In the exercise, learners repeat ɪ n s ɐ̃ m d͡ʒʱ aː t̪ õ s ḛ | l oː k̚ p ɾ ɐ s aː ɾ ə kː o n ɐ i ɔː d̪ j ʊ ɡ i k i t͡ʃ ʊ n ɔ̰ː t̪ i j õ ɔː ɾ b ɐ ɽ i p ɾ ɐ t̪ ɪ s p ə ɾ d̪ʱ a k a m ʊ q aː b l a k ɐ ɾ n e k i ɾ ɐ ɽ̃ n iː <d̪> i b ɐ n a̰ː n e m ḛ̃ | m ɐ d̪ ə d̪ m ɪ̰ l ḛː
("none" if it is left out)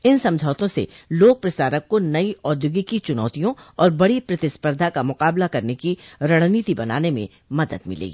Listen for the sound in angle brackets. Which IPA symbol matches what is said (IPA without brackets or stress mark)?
t̪